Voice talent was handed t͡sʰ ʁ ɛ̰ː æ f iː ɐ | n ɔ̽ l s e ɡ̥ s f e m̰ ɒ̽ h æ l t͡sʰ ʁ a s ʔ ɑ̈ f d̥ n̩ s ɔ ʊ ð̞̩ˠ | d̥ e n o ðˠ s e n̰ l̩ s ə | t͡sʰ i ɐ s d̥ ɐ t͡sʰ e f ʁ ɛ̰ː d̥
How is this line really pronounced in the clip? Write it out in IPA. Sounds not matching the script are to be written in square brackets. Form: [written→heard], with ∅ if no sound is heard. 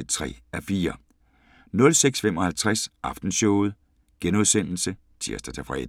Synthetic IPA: t͡sʰ ʁ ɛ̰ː æ f iː ɐ | n ɔ̽ l s e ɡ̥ s f e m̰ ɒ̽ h æ l t͡sʰ ʁ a s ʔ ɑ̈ f d̥ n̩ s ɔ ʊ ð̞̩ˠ | [d̥→ɡ̥] e n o ðˠ s e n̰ l̩ s ə | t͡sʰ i ɐ s d̥ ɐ t͡sʰ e f ʁ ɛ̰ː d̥